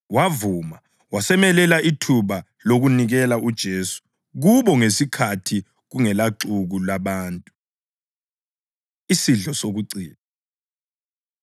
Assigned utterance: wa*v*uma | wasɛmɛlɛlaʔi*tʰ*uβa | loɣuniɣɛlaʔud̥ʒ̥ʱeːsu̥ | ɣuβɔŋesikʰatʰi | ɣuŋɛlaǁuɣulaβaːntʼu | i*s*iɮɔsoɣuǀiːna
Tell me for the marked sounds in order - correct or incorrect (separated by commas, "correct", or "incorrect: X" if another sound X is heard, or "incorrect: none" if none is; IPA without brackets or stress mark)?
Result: correct, correct, correct